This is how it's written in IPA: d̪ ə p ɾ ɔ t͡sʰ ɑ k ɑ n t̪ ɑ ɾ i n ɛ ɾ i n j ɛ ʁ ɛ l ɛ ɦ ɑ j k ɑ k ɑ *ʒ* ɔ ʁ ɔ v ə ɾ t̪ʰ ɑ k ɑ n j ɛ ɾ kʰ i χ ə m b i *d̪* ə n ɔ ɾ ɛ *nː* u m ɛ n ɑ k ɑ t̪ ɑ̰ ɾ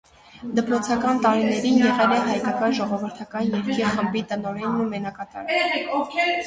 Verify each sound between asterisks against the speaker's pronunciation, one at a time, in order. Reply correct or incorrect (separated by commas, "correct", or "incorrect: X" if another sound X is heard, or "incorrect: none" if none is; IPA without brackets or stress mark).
correct, incorrect: t̪, correct